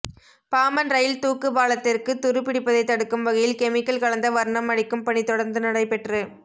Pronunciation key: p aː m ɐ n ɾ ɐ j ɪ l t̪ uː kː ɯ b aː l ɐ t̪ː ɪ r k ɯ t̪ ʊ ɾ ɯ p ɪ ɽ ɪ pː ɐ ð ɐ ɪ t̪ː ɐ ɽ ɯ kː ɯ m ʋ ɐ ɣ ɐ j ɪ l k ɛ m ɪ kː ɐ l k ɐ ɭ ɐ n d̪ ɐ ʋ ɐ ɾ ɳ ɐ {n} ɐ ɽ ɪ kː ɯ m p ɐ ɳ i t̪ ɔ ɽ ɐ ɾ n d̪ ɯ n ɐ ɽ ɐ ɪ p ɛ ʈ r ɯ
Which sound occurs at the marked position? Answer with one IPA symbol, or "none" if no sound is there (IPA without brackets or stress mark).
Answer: m